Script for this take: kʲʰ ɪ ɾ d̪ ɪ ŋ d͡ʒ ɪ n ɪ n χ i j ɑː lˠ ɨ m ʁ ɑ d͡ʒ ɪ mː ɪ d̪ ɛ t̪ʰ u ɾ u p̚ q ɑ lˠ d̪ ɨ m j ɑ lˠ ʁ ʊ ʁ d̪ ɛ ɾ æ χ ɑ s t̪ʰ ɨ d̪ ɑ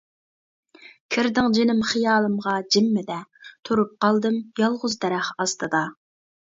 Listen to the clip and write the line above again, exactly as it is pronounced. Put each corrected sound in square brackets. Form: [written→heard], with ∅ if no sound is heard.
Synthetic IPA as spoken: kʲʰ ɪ ɾ d̪ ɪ ŋ d͡ʒ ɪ n ɪ [n→m] χ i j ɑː lˠ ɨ m ʁ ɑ d͡ʒ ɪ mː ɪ d̪ ɛ t̪ʰ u ɾ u p̚ q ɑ lˠ d̪ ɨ m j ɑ lˠ ʁ ʊ [ʁ→z] d̪ ɛ ɾ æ χ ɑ s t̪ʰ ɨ d̪ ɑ

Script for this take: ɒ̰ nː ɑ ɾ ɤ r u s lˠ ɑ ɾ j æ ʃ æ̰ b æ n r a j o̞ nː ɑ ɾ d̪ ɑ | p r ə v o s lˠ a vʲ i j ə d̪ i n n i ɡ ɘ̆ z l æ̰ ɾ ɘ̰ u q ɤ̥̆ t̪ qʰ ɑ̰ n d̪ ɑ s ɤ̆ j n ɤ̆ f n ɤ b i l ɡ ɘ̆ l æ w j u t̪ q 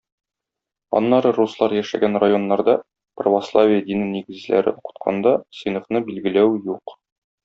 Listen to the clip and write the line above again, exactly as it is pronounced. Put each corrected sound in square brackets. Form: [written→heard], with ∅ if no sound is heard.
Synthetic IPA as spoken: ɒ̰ nː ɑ ɾ ɤ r u s lˠ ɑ ɾ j æ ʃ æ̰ [b→ɡ] æ n r a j o̞ nː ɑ ɾ d̪ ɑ | p r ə v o s lˠ a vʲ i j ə d̪ i n n i ɡ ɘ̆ z l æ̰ ɾ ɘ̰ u q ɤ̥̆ t̪ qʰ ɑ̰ n d̪ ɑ s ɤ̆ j n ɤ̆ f n ɤ b i l ɡ ɘ̆ l æ w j u [t̪→∅] q

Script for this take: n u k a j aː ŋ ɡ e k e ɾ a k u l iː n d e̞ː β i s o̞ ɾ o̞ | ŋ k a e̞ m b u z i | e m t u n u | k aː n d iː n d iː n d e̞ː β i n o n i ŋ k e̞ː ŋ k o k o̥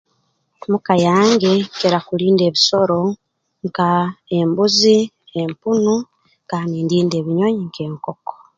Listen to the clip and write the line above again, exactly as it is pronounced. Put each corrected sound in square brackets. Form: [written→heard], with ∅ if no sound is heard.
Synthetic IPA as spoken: [n→m] u k a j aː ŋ ɡ e k e ɾ a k u l iː n d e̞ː β i s o̞ ɾ o̞ | ŋ k a e̞ m b u z i | e m [t→p] u n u | k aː n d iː n d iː n d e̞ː β i [n→ɲ] o [n→ɲ] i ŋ k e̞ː ŋ k o k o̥

